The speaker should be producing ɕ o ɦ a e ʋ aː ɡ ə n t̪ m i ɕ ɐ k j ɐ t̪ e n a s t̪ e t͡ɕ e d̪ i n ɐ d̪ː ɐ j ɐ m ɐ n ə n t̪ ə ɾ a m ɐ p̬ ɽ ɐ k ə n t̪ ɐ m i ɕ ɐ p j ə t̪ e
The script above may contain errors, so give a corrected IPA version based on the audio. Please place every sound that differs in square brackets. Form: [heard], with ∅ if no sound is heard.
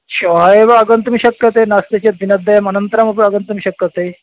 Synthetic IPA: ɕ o ɦ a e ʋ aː ɡ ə n t̪ m i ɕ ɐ k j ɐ t̪ e n a s t̪ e t͡ɕ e d̪ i n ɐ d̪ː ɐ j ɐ m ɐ n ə n t̪ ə ɾ a m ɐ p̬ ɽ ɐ [ɡ] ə n t̪ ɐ m i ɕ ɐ [k] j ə t̪ e